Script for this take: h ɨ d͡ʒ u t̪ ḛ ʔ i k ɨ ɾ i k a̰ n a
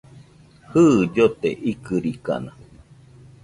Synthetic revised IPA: h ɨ d͡ʒ o t̪ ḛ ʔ i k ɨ ɾ i k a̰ n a